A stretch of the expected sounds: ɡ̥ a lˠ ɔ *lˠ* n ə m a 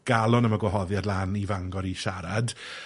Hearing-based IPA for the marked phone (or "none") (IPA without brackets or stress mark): none